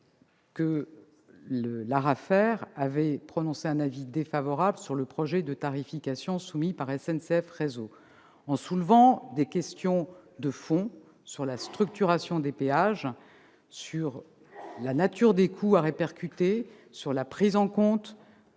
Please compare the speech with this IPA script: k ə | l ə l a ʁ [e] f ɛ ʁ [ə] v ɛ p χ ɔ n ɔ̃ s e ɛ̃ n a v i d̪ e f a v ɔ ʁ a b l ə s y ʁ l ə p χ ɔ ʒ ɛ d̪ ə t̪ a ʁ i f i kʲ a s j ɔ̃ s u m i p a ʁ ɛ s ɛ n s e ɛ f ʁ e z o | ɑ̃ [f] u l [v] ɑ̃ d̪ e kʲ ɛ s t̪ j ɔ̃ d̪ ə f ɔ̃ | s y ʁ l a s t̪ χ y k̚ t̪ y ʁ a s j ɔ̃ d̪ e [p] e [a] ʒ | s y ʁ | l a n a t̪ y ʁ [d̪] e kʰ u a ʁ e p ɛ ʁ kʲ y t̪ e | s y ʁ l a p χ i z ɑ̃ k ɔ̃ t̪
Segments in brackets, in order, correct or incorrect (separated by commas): incorrect, incorrect, incorrect, correct, correct, correct, correct